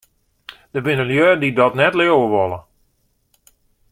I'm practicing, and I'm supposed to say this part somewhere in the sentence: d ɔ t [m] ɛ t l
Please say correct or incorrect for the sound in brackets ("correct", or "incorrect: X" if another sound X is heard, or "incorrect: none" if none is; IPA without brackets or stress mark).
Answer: incorrect: n